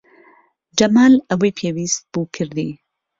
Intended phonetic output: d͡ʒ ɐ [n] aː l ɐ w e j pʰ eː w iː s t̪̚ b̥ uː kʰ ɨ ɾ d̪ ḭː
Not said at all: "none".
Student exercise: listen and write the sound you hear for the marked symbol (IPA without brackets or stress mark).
m